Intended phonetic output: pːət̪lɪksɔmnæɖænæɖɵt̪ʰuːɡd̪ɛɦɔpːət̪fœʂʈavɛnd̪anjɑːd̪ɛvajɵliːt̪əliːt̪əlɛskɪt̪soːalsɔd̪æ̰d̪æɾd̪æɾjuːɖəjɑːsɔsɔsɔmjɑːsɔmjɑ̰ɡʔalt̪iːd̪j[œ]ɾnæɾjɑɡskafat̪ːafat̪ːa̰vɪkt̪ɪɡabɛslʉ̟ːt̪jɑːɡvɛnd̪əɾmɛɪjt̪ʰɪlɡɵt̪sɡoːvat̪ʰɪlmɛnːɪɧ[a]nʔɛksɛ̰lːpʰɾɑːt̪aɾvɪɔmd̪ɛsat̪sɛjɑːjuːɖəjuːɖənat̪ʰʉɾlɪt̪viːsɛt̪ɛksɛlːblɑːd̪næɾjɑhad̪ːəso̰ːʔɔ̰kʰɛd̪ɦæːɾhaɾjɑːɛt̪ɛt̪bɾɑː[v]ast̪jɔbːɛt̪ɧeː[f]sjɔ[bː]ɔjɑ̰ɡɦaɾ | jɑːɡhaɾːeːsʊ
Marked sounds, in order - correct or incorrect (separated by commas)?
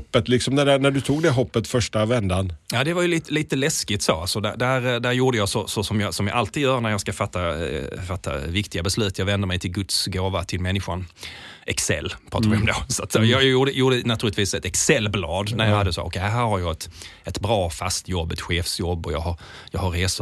incorrect, correct, incorrect, correct, correct